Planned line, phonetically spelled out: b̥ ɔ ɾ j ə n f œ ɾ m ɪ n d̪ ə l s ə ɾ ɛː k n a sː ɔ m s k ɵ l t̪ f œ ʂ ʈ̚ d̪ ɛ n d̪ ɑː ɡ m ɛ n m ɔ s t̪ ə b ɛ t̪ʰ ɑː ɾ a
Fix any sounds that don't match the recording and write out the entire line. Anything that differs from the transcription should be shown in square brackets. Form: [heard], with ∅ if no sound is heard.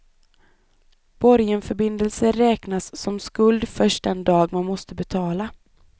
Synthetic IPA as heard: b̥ ɔ ɾ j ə n f œ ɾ [b] ɪ n d̪ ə l s ə ɾ ɛː k n a sː ɔ m s k ɵ l [d̪] f œ ʂ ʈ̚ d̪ ɛ n d̪ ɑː ɡ m [a] n m ɔ s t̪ ə b ɛ t̪ʰ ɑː [l] a